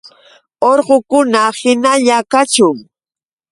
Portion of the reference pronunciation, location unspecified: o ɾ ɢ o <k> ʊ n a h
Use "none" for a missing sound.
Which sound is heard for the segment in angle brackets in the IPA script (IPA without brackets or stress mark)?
k